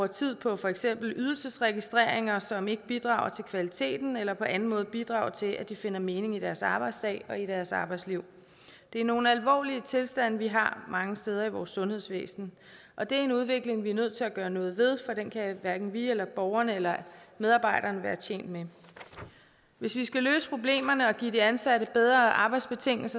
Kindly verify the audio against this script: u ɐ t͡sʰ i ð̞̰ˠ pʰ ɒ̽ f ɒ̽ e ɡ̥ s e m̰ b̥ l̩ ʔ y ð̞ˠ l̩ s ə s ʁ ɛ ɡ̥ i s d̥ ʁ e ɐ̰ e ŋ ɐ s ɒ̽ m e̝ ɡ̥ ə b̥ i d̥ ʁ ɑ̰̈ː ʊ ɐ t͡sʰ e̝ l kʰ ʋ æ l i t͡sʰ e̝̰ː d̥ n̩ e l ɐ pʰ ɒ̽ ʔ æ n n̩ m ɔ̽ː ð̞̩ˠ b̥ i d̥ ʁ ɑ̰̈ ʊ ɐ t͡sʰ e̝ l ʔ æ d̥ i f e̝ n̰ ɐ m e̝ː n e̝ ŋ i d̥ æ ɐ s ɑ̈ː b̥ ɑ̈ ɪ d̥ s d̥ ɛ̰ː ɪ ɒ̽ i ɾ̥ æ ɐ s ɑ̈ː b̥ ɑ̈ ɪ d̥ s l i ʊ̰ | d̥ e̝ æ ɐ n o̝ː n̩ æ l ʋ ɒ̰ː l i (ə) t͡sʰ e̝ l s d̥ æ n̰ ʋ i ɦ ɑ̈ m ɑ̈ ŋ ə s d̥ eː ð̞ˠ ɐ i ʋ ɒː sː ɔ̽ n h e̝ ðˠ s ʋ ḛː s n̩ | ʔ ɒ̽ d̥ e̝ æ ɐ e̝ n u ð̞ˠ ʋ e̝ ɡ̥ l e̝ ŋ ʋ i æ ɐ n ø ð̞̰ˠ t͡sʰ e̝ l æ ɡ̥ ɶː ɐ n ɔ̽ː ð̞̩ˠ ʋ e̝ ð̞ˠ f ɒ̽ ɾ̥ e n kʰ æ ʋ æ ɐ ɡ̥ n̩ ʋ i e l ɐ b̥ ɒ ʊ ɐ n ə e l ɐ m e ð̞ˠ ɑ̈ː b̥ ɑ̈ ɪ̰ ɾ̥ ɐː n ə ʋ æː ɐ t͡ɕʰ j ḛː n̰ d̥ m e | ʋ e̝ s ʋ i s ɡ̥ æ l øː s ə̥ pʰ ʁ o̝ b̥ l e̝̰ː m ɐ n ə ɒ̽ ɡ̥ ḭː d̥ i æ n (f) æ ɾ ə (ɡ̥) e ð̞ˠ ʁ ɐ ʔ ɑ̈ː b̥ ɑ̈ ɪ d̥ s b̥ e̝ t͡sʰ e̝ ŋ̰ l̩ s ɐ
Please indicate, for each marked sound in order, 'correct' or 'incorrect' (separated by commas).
correct, incorrect, incorrect